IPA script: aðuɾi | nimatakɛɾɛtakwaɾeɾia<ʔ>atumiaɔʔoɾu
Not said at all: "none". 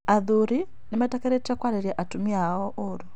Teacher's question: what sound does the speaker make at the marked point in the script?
ʔ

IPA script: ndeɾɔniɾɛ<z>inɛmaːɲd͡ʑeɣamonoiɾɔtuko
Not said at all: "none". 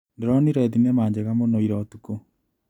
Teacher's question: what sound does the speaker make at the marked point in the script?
ð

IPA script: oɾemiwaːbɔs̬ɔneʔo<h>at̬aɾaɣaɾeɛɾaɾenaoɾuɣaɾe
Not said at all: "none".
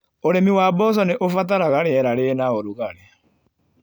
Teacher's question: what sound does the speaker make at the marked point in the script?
f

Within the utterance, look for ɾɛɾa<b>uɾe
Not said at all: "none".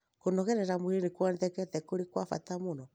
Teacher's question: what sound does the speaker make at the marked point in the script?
m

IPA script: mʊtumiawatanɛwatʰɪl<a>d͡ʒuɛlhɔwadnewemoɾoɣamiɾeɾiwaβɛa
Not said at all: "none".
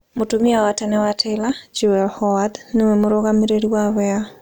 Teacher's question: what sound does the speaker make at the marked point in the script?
a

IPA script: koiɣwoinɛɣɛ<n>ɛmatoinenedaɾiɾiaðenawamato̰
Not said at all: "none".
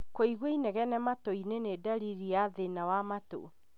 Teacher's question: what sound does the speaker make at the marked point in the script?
n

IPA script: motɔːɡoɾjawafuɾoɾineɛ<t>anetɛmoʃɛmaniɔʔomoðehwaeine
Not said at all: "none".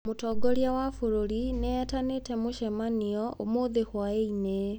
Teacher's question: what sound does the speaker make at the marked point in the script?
t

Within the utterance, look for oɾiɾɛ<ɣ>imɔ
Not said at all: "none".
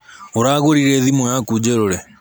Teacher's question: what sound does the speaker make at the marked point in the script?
ð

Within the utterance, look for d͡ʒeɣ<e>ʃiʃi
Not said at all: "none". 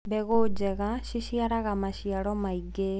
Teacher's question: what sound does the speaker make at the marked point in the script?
a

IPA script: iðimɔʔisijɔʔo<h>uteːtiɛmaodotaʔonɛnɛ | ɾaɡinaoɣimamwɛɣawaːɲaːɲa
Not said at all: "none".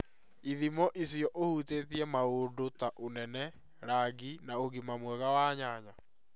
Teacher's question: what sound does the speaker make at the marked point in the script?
h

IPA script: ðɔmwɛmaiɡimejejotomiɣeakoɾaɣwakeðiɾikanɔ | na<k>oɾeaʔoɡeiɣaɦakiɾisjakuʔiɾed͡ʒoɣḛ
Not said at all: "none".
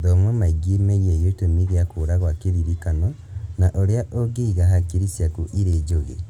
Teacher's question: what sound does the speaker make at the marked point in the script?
ʔ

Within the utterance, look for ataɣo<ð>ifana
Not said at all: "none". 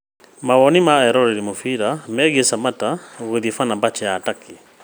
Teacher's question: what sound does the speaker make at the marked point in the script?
ð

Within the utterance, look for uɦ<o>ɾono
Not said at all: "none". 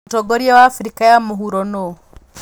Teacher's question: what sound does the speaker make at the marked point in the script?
u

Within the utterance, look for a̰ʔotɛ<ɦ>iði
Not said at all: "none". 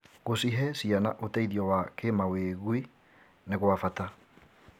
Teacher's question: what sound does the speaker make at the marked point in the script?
none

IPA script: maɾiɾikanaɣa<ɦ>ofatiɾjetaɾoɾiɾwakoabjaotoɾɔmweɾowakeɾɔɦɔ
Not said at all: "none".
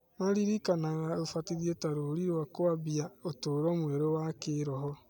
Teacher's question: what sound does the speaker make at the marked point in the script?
none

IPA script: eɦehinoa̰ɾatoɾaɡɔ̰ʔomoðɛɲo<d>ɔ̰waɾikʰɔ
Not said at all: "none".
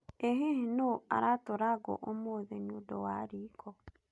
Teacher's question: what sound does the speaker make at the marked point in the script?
d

